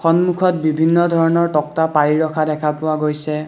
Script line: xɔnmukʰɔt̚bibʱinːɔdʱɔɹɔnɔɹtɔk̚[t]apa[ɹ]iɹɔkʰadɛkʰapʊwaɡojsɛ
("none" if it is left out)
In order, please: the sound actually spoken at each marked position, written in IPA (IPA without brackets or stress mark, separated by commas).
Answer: t, ɹ